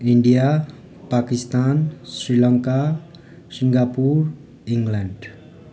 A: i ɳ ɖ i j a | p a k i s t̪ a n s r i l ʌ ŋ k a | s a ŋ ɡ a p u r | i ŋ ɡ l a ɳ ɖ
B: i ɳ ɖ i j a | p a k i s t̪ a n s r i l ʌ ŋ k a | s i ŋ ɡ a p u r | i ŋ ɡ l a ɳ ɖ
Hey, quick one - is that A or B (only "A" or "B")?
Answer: B